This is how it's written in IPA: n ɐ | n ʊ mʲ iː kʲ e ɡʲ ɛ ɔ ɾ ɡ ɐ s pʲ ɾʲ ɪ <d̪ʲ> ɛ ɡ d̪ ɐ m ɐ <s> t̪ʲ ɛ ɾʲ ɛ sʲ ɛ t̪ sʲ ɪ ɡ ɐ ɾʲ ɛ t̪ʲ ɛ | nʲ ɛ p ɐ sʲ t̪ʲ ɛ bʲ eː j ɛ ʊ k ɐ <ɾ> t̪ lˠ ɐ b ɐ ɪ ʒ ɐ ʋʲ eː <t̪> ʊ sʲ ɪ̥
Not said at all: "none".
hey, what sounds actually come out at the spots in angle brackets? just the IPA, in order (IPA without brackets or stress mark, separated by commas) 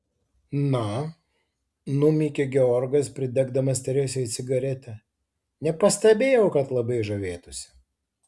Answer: d̪ʲ, s, none, t̪